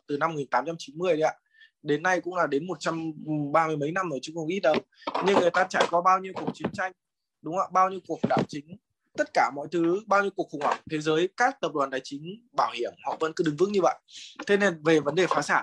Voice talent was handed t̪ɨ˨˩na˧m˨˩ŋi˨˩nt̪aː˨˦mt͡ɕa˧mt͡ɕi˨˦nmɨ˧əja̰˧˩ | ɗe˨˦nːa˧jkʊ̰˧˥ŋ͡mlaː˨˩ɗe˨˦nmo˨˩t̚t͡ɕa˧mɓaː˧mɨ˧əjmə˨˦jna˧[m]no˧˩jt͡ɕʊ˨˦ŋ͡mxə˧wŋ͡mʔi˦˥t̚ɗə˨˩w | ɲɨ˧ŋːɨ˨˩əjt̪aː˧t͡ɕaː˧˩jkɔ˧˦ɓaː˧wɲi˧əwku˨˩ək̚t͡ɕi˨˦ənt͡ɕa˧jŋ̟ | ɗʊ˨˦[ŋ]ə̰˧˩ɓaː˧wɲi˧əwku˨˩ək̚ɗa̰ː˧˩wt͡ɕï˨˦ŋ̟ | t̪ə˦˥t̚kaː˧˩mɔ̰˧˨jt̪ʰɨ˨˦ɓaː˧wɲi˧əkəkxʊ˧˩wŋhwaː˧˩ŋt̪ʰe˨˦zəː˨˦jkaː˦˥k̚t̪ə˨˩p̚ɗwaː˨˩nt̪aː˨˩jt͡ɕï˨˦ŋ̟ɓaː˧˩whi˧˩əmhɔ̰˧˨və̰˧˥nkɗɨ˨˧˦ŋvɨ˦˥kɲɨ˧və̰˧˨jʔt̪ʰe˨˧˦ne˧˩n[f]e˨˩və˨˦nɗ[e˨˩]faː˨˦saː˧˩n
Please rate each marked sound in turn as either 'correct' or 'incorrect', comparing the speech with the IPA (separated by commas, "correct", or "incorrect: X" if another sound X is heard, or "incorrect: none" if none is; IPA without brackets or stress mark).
correct, incorrect: ŋ͡m, incorrect: v, correct